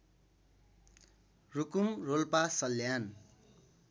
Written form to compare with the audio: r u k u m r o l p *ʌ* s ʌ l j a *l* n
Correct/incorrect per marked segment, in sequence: incorrect, incorrect

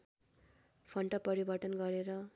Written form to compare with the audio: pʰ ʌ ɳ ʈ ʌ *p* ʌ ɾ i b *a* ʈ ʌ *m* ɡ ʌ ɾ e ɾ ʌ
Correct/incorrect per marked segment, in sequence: correct, incorrect, incorrect

